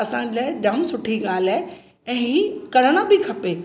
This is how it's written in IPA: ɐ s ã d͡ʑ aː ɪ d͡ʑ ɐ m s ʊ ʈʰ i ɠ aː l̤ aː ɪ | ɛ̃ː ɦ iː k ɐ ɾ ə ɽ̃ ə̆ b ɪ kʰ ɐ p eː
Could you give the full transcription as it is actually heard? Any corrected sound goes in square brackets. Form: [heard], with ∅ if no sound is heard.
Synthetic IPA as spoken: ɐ s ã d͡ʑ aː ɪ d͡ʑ ɐ m s ʊ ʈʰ i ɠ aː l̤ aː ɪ | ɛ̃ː ɦ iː k ɐ ɾ ə ɽ̃ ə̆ b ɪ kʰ ɐ p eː